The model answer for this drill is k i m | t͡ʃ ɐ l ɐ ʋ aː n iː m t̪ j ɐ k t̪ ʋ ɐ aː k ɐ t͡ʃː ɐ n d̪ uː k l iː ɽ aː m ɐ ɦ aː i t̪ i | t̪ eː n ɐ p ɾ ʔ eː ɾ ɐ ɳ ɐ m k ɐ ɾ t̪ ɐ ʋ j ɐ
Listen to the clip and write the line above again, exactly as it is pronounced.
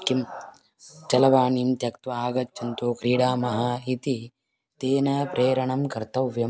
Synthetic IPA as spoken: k i m | t͡ʃ ɐ l ɐ ʋ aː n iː m t̪ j ɐ k t̪ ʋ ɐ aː ɡ ɐ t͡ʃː ɐ n t̪ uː k ɾ iː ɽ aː m ɐ ɦ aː i t̪ i | t̪ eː n ɐ p ɾ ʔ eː ɾ ɐ ɳ ɐ m k ɐ ɾ t̪ ɐ ʋ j ɐ